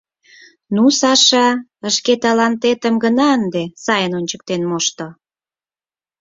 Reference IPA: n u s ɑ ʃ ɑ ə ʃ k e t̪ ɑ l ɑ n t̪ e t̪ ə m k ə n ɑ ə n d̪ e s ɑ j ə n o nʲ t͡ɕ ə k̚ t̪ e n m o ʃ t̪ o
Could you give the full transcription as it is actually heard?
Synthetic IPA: n u s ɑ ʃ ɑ ə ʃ k e t̪ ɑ l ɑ n t̪ e t̪ ə m ɡ ə n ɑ ə n d̪ e s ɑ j ə n o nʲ t͡ɕ ə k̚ t̪ e n m o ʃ t̪ o